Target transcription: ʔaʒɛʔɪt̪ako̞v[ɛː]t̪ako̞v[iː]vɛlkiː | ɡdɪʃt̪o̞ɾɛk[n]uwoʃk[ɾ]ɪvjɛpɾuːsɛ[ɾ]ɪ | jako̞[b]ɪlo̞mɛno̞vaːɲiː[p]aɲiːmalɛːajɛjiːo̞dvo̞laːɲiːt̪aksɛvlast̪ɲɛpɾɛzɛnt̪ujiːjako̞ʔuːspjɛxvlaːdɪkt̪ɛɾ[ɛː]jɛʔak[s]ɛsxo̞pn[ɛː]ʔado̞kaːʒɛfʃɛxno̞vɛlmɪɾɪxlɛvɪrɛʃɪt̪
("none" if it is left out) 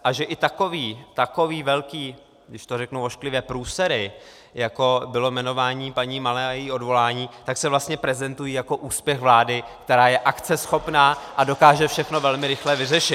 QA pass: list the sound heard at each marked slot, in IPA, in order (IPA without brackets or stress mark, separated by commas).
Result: iː, iː, n, l, ɾ, b, p, aː, t͡s, aː